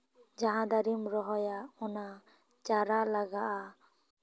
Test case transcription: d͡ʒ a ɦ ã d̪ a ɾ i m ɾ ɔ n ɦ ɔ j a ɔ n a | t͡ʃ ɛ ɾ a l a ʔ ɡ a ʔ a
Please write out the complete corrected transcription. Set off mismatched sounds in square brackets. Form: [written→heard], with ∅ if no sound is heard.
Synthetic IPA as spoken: d͡ʒ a ɦ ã d̪ a ɾ i m ɾ ɔ [n→∅] ɦ ɔ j a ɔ n a | t͡ʃ [ɛ→a] ɾ a l a [ʔ→∅] ɡ a ʔ a